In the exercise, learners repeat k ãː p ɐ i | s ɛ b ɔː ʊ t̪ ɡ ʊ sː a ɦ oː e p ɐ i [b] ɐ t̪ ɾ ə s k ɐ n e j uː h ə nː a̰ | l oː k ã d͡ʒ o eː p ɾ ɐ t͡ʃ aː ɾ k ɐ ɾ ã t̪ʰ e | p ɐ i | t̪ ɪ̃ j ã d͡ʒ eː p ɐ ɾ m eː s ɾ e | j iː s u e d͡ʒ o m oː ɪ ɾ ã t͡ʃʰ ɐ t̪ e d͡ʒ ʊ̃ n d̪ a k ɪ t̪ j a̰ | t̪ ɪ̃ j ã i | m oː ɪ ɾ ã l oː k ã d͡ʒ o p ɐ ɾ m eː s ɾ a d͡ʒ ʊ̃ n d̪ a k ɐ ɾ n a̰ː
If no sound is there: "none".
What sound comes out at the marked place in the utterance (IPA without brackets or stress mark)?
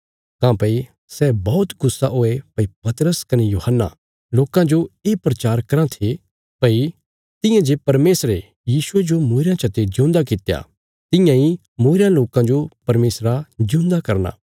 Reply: p